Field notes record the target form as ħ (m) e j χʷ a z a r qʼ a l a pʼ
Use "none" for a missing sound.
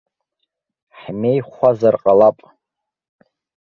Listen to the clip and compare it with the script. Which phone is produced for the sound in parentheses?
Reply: m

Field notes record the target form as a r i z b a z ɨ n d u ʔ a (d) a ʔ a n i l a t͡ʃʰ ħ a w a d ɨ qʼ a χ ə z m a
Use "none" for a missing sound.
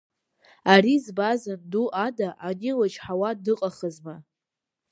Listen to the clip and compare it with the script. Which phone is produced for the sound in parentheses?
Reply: d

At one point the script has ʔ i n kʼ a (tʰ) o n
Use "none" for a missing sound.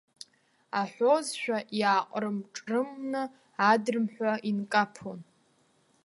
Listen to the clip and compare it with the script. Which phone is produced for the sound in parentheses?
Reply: pʰ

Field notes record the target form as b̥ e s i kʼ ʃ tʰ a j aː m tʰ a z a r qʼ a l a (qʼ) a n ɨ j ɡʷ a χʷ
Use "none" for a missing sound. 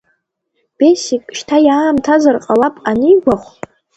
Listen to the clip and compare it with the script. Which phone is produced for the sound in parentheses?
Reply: pʼ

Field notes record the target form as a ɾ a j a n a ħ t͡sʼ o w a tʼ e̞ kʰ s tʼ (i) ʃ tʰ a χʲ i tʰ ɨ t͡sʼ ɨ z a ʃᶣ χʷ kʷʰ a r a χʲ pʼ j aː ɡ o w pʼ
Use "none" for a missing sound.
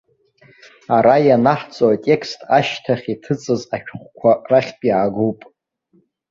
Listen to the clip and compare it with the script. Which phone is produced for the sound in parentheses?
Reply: a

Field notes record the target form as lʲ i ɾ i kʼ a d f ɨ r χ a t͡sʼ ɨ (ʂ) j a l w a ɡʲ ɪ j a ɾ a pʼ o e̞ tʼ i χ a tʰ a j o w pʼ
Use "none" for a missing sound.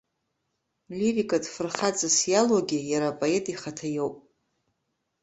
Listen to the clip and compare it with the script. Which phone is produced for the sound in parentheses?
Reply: s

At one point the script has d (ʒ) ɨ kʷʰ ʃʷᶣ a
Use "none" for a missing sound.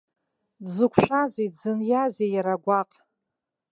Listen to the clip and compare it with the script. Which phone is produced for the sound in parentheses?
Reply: z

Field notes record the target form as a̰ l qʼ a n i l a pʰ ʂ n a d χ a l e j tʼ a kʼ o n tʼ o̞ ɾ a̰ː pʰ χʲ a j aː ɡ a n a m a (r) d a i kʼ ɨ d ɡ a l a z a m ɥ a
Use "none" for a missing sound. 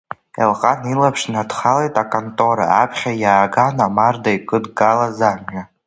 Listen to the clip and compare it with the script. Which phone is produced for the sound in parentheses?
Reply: r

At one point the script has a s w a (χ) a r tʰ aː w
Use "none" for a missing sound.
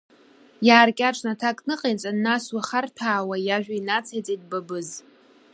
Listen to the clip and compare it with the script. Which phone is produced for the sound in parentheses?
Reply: χ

